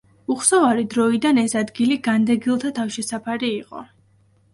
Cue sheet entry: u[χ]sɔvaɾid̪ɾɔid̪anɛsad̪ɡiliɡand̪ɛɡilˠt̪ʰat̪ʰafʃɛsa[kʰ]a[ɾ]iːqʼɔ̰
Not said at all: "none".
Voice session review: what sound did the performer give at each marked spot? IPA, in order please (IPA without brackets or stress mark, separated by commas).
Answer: χ, pʰ, ɾ